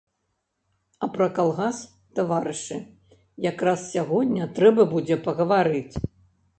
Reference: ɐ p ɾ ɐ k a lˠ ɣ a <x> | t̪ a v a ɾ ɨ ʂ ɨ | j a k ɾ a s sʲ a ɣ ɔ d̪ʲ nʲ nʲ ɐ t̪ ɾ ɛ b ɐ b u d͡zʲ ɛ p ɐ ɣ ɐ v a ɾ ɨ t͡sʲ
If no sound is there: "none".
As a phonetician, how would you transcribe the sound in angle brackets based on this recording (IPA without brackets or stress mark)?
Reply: s